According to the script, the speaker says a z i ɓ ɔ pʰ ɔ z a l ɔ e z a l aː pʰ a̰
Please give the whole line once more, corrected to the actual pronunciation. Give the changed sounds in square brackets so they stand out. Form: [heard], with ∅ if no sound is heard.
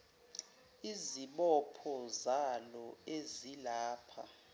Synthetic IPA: [i] z i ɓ ɔ pʰ ɔ z a l ɔ e z [i] l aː pʰ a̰